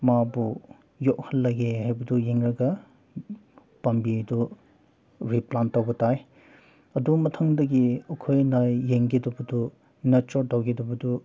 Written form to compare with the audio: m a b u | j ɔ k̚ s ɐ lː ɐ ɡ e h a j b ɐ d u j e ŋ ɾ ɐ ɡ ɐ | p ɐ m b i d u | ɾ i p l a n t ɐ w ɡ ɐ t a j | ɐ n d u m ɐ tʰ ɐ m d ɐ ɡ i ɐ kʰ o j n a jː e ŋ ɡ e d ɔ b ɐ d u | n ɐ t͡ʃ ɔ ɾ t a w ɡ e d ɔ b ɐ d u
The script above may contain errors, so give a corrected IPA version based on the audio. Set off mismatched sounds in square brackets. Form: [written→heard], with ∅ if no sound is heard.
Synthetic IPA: m a b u | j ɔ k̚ [s→h] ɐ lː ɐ ɡ e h a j b ɐ d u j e ŋ ɾ ɐ ɡ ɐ | p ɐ m b i d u | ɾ i p l a n t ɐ w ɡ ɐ t a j | ɐ [n→∅] d u m ɐ tʰ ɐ [m→ŋ] d ɐ ɡ i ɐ kʰ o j n a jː e ŋ ɡ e d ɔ b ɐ d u | n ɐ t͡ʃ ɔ ɾ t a w ɡ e d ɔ b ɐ d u